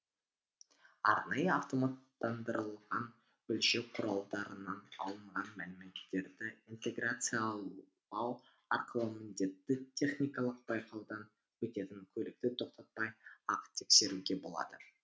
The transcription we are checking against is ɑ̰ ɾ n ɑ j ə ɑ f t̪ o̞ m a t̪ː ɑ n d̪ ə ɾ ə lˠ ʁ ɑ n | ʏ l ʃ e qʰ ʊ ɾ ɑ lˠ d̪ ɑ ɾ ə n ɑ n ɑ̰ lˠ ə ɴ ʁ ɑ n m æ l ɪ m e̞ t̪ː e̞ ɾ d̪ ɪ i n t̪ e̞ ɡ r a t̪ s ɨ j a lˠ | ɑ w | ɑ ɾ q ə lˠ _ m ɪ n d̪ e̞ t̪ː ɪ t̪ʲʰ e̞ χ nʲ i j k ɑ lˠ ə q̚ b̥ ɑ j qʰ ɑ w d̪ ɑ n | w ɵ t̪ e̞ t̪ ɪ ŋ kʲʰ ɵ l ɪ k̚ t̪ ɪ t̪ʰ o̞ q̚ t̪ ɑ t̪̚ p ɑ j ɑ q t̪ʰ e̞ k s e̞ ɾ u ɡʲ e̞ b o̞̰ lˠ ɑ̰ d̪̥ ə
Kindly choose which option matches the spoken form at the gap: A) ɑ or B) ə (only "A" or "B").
B